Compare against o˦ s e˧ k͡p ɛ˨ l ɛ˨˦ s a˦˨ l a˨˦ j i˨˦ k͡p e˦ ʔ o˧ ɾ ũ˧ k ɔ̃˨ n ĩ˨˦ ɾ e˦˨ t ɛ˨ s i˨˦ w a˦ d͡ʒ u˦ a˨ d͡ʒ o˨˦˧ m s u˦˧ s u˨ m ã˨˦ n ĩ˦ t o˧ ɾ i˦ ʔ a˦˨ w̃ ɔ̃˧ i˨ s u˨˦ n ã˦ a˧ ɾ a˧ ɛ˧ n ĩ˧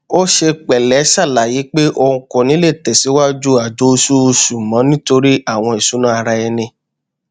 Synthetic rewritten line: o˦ ʃ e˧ k͡p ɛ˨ l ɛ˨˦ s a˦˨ l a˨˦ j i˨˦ k͡p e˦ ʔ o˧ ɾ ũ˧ k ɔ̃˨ n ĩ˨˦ l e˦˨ t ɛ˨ s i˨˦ w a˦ d͡ʒ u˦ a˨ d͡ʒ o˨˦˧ s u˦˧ s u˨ m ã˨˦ n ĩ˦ t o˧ ɾ i˦ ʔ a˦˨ w̃ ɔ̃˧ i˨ s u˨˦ n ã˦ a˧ ɾ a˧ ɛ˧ n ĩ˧